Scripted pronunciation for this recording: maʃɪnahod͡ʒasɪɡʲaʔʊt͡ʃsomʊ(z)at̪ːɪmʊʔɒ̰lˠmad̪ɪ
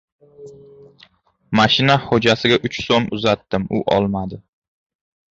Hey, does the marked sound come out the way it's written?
yes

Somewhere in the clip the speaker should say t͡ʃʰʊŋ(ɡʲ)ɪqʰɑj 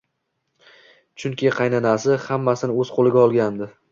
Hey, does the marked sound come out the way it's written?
no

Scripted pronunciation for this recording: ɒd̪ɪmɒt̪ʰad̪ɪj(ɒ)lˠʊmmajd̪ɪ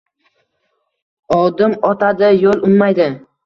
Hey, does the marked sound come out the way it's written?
no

